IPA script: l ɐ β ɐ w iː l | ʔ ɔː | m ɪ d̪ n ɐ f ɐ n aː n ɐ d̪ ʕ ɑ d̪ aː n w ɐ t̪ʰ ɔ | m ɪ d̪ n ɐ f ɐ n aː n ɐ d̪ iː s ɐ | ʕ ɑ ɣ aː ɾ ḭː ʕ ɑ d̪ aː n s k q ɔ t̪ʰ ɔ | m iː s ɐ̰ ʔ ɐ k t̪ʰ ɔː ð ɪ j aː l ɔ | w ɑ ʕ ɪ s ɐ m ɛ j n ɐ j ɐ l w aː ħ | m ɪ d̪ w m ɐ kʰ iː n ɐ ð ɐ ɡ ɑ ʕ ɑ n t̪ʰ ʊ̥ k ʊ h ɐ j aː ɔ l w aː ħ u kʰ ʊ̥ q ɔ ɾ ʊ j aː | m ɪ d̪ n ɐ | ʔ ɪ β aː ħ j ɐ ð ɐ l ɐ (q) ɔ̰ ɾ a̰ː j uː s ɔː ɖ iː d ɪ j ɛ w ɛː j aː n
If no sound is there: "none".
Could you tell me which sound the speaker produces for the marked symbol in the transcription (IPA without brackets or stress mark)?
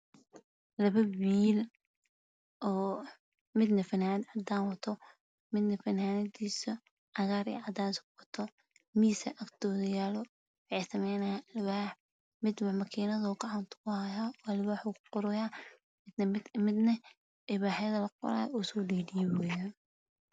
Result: q